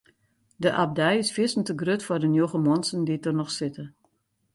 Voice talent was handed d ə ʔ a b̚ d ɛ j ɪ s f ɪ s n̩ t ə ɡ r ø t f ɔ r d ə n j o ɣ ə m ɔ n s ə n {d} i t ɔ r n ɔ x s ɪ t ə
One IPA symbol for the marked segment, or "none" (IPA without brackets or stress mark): d